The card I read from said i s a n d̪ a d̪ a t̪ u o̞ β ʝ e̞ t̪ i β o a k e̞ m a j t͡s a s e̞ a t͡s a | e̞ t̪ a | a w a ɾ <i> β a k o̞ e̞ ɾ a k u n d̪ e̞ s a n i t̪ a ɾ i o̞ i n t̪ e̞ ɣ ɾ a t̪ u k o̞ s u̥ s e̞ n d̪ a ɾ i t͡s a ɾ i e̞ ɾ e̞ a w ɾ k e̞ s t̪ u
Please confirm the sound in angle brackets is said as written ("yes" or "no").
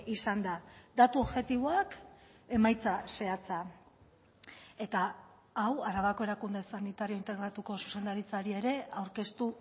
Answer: no